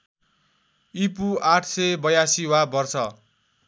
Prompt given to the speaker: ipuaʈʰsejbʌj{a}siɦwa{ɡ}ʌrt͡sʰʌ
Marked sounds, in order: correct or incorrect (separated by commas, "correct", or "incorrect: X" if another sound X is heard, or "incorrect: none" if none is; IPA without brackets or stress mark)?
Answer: correct, incorrect: b